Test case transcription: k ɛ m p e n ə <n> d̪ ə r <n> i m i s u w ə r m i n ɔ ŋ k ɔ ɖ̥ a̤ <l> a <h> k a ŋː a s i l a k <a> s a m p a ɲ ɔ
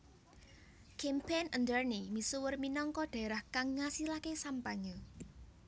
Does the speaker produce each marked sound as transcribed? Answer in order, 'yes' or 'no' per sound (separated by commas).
yes, yes, no, yes, no